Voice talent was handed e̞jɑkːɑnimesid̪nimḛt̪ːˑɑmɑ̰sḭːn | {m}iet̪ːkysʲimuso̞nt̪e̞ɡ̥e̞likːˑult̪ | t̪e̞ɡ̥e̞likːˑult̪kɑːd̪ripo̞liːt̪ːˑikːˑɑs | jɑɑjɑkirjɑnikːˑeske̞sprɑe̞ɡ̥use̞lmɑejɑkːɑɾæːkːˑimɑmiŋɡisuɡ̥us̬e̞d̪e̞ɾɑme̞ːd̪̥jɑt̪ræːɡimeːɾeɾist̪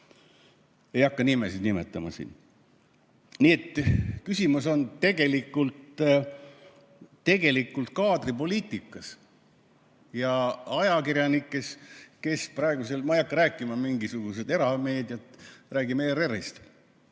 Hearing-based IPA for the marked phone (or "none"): n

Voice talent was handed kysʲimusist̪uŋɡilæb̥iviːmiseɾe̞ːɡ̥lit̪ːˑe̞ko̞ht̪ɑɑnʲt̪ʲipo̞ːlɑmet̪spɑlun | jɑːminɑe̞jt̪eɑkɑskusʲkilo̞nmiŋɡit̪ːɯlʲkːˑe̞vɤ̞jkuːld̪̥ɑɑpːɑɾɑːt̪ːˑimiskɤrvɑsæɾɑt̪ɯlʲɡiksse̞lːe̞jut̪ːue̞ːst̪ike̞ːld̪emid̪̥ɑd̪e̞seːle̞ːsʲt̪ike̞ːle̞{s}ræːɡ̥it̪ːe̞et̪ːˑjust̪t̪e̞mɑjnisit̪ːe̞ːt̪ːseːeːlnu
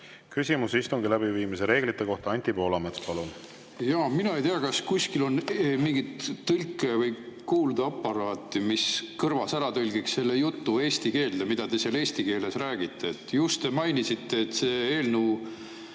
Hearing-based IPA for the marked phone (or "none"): s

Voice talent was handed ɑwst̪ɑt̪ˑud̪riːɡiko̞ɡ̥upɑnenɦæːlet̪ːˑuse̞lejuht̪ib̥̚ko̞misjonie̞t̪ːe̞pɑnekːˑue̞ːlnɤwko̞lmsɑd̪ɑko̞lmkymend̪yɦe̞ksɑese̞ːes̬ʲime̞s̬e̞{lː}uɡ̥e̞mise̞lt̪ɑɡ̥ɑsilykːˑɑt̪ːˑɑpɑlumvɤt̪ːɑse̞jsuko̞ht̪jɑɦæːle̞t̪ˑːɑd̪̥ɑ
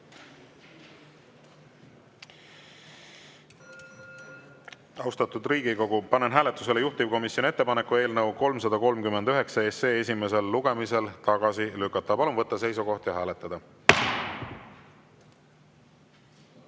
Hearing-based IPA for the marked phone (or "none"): lː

